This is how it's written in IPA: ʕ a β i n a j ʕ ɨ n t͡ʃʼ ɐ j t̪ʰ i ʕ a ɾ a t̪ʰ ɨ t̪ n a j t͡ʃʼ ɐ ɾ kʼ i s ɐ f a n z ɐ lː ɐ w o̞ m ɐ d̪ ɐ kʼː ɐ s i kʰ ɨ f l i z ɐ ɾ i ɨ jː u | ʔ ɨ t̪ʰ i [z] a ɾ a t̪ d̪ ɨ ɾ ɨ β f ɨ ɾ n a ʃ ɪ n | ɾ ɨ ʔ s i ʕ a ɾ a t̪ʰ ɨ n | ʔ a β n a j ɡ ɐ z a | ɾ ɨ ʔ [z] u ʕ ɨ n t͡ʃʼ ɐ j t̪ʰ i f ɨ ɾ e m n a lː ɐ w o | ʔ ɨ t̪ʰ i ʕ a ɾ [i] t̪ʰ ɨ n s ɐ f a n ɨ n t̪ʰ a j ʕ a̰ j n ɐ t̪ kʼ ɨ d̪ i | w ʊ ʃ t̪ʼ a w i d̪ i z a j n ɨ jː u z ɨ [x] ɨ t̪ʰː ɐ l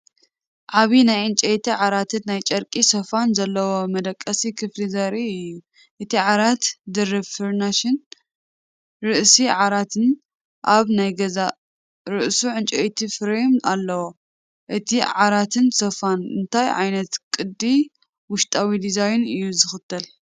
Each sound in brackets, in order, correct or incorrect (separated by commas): incorrect, incorrect, incorrect, correct